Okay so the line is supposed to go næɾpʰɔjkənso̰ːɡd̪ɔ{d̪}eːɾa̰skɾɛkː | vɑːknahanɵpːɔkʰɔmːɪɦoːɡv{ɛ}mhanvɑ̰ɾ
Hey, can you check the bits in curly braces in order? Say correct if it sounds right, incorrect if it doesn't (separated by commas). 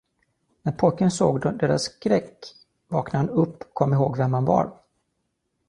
correct, correct